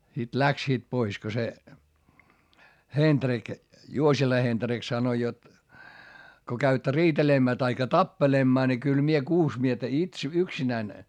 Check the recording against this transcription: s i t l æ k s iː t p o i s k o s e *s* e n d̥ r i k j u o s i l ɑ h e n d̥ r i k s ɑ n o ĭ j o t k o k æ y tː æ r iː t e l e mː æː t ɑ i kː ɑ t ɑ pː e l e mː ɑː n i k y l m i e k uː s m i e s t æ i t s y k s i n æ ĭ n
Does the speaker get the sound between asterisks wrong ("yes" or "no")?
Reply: yes